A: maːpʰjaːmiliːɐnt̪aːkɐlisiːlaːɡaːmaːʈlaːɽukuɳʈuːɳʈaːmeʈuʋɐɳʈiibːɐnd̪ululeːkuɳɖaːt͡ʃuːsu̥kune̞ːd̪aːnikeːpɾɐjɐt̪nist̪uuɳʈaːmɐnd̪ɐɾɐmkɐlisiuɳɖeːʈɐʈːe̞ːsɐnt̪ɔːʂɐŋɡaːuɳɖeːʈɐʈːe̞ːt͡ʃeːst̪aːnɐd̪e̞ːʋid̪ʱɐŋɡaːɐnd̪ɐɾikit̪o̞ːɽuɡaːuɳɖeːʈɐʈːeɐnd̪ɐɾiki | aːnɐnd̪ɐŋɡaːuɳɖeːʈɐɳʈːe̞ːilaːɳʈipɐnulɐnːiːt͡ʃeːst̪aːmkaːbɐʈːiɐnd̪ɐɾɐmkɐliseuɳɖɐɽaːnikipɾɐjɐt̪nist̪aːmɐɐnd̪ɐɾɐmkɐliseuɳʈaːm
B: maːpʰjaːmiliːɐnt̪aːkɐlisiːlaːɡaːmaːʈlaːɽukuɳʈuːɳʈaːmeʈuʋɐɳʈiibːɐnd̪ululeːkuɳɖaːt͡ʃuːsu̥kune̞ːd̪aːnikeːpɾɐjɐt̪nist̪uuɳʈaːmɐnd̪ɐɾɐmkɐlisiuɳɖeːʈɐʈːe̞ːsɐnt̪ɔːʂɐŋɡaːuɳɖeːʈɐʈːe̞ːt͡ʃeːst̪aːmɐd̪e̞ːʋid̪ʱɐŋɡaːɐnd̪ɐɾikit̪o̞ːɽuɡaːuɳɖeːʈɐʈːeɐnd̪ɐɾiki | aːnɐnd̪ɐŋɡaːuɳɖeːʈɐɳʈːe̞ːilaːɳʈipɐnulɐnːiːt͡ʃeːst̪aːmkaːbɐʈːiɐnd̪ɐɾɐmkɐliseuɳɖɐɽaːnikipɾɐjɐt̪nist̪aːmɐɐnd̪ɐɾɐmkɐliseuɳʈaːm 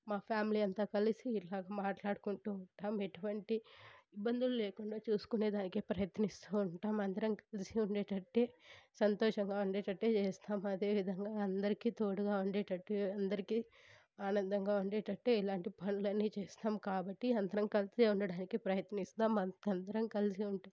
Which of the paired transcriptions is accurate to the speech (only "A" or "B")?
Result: B